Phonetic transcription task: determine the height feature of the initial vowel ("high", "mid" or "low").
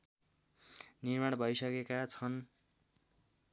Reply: high